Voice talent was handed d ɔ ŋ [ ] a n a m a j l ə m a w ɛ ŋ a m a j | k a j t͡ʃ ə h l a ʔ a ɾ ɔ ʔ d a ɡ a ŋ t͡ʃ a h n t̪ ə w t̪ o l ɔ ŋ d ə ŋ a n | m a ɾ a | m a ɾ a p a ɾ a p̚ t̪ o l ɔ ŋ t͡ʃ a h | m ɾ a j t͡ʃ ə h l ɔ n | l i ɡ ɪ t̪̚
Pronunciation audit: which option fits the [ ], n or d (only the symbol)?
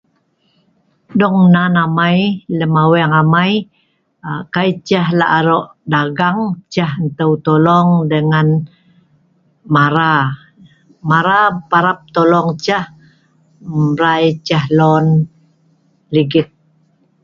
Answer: n